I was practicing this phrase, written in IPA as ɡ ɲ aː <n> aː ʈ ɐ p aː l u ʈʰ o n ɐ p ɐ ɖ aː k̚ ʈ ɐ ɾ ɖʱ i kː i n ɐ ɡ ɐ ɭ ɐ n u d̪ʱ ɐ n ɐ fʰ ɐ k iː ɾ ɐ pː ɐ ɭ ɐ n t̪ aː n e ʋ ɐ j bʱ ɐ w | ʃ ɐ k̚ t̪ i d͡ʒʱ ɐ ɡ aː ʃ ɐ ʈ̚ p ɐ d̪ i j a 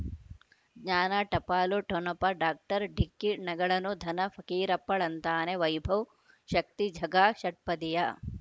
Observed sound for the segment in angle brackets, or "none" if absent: n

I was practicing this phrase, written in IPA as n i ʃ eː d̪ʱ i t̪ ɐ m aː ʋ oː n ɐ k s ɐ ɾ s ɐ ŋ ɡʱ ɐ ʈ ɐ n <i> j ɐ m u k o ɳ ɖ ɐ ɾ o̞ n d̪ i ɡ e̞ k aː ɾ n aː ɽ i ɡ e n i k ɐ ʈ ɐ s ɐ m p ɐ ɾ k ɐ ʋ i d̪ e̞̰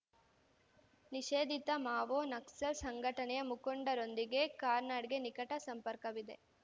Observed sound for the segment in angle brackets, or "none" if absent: ɛ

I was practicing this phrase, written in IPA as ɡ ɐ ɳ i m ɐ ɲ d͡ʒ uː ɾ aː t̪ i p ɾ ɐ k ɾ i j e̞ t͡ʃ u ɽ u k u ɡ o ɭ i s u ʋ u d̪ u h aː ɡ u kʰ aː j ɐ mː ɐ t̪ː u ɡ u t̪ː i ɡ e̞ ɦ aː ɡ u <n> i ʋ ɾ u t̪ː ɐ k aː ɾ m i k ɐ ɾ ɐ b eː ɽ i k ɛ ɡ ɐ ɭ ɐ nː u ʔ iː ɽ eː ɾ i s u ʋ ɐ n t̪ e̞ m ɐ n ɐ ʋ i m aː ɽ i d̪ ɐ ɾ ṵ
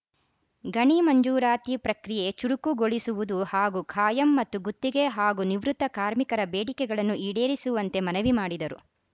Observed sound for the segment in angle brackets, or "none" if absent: n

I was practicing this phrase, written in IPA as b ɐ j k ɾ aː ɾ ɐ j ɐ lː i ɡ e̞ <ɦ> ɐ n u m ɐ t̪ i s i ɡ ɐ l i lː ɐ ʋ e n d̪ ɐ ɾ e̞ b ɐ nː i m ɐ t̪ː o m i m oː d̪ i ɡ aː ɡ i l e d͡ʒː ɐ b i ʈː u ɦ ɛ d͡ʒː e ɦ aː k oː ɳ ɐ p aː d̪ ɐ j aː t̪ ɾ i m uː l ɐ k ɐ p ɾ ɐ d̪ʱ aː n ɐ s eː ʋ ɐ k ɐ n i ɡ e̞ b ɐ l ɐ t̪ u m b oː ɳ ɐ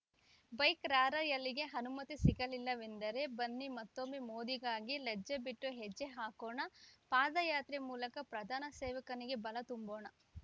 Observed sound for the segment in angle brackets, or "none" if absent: ɦ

